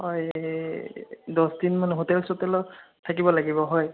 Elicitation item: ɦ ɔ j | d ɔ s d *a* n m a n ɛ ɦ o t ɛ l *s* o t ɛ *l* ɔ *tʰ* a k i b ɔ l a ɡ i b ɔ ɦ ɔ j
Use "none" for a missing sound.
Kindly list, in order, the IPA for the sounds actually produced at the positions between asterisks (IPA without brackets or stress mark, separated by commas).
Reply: i, s, l, tʰ